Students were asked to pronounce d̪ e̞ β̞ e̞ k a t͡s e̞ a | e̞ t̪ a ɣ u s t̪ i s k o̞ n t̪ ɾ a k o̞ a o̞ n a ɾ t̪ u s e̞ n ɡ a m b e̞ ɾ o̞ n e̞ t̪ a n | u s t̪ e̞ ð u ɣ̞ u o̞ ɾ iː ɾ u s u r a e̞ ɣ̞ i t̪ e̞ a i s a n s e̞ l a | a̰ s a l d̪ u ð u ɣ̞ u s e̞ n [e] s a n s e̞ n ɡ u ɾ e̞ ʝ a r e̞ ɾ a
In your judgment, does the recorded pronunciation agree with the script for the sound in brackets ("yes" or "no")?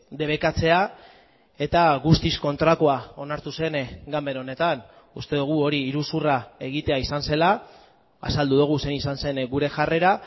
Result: no